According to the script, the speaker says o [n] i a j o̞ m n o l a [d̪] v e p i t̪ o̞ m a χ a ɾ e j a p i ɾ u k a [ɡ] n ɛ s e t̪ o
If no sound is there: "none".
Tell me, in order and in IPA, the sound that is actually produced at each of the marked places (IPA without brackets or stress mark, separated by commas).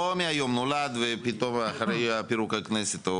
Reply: m, d̪, k